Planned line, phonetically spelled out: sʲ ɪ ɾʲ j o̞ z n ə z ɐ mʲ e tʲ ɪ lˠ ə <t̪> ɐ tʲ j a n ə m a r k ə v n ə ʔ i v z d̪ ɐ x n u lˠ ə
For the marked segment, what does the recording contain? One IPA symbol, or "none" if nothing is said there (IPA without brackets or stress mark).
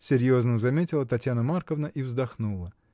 t̪